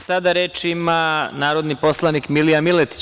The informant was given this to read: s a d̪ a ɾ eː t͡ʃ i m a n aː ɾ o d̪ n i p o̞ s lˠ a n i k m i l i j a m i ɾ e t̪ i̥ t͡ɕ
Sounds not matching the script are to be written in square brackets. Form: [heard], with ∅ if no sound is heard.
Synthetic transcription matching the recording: s a d̪ a ɾ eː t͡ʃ i m a n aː ɾ o d̪ n i p o̞ s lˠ a n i k m i l i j a m i [l] e t̪ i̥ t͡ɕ

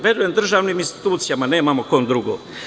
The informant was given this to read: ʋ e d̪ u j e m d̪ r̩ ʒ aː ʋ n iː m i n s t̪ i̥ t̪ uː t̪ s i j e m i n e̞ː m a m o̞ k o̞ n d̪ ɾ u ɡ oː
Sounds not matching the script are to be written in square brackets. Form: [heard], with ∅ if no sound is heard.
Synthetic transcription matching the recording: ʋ e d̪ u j e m d̪ r̩ ʒ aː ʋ n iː m i n s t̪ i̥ t̪ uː t̪ s i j [a] m [a] n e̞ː m a m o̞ k o̞ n d̪ ɾ u ɡ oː

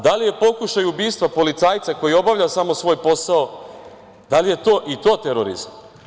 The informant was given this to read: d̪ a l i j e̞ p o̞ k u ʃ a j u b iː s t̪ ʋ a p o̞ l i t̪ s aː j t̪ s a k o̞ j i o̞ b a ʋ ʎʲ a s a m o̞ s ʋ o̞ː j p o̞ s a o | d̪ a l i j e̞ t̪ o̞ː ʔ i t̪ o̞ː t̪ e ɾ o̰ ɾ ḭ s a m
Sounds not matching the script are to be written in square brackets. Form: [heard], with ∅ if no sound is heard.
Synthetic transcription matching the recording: d̪ a l i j e̞ p o̞ k u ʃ a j u b iː s t̪ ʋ a p o̞ l i t̪ s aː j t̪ s a k o̞ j i o̞ b a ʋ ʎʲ a s a m o̞ s ʋ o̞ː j p o̞ s a o | d̪ a l i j e̞ t̪ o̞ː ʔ i t̪ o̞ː t̪ e ɾ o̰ ɾ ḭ [z] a m

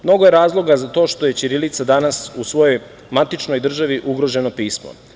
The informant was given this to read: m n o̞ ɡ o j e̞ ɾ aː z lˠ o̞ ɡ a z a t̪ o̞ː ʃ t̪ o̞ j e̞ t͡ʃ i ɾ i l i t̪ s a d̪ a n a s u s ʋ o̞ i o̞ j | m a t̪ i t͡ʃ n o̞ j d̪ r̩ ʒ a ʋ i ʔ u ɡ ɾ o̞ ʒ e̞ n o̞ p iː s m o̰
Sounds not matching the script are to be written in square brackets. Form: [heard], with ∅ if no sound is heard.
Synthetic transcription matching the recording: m n o̞ ɡ o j e̞ ɾ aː z lˠ o̞ ɡ a z a t̪ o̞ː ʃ t̪ o̞ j e̞ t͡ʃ i ɾ i l i t̪ s a d̪ a n a s u s ʋ o̞ [j] o̞ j | m a t̪ i t͡ʃ n o̞ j d̪ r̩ ʒ a ʋ i ʔ u ɡ ɾ o̞ ʒ e̞ n o̞ p iː s m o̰

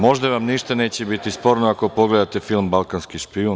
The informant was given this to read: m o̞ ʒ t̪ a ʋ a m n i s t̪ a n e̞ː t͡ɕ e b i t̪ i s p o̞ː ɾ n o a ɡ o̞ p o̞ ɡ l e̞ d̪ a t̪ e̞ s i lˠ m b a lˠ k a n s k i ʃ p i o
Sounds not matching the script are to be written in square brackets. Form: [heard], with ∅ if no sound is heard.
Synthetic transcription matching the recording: m o̞ ʒ [d̪] a ʋ a m n i [ʃ] t̪ a n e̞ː t͡ɕ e b i t̪ i s p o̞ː ɾ n o a [k] o̞ p o̞ ɡ l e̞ d̪ a t̪ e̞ [f] i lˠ m b a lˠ k a n s k i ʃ p i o

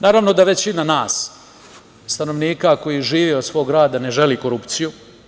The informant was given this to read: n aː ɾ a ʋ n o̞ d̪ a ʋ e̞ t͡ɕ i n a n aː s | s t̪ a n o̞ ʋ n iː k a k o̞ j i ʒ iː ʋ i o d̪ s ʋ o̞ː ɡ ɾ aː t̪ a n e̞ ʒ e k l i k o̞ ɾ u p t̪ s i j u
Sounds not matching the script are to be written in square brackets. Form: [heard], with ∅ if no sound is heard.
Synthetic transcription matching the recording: n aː ɾ a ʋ n o̞ d̪ a ʋ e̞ t͡ɕ i n a n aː s | s t̪ a n o̞ ʋ n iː k a k o̞ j i ʒ iː ʋ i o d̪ s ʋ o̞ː ɡ ɾ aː [d̪] a n e̞ ʒ e [∅] l i k o̞ ɾ u p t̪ s i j u

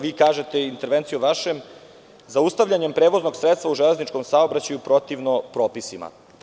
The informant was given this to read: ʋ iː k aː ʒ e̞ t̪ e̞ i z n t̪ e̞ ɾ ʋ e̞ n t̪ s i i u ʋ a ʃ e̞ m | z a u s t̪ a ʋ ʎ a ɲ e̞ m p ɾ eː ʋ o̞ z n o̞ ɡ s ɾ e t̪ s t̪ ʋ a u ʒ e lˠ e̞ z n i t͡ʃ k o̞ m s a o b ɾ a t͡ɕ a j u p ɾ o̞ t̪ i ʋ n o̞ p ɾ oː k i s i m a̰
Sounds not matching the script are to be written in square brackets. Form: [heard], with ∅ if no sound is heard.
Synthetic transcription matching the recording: ʋ iː k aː ʒ e̞ t̪ e̞ i [∅] n t̪ e̞ ɾ ʋ e̞ n t̪ s i [j] u ʋ a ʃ e̞ m | z a u s t̪ a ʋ ʎ a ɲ e̞ m p ɾ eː ʋ o̞ z n o̞ ɡ s ɾ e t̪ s t̪ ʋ a u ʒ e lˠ e̞ z n i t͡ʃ k o̞ m s a o b ɾ a t͡ɕ a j u p ɾ o̞ t̪ i ʋ n o̞ p ɾ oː [p] i s i m a̰

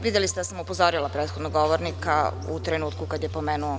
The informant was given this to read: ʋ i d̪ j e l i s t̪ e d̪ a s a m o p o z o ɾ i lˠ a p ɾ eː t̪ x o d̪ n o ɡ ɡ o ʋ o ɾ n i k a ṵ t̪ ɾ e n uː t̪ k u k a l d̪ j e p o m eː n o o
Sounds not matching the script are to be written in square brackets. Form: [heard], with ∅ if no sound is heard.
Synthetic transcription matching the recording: ʋ i d̪ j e l i s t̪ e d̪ a s a m [u] p o z o ɾ i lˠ a p ɾ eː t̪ x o d̪ n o ɡ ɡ o ʋ o ɾ n i k a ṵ t̪ ɾ e n uː t̪ k u k a [∅] d̪ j e p o m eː n [u] o

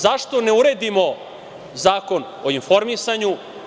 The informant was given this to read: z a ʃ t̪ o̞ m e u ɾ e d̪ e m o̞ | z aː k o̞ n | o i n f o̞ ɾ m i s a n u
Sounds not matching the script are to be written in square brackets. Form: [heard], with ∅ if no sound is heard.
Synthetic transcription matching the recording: z a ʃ t̪ o̞ [n] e u ɾ e d̪ [i] m o̞ | z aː k o̞ n | o i n f o̞ ɾ m i s a [ɲ] u

